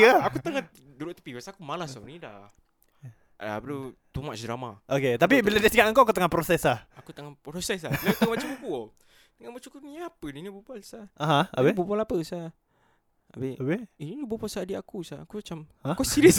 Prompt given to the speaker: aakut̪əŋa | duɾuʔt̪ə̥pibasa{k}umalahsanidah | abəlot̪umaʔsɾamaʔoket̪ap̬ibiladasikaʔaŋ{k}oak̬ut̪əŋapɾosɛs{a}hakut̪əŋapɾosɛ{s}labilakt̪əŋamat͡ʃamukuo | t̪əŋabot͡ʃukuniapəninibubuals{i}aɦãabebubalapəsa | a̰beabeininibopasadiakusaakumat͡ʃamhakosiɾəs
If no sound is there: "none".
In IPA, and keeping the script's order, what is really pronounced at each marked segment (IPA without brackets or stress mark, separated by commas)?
k, k, a, s, a